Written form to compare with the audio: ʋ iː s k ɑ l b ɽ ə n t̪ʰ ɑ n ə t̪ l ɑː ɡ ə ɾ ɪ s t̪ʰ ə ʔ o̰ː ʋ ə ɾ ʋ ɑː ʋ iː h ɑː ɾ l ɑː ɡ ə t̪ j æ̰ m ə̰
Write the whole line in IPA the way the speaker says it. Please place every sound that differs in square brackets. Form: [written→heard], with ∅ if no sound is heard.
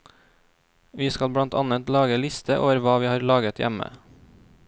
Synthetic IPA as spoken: ʋ iː s k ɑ l b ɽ [ə→ɑ] n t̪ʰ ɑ n ə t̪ l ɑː ɡ ə [ɾ→l] ɪ s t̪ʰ ə ʔ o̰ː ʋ ə ɾ ʋ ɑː ʋ iː h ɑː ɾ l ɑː ɡ ə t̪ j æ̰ m ə̰